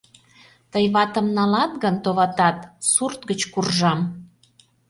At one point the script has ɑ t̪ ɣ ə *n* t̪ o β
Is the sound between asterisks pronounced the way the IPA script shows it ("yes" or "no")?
yes